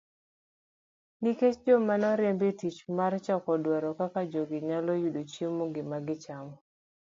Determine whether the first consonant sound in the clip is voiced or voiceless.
voiced